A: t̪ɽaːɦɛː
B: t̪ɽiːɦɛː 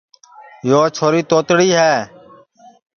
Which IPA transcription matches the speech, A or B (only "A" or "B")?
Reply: B